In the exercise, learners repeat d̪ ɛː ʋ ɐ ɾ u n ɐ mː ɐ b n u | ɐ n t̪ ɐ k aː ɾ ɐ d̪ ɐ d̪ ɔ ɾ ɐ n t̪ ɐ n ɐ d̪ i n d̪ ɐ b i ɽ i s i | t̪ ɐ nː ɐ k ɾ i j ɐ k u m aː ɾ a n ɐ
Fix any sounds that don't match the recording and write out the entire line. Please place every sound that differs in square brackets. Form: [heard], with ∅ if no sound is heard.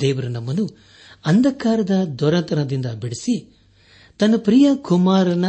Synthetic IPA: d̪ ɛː ʋ ɐ ɾ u n ɐ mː ɐ [∅] n u | ɐ n [d̪] ɐ k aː ɾ ɐ d̪ ɐ d̪ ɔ ɾ ɐ n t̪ ɐ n ɐ d̪ i n d̪ ɐ b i ɽ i s i | t̪ ɐ nː ɐ [p] ɾ i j ɐ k u m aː ɾ [ɐ] n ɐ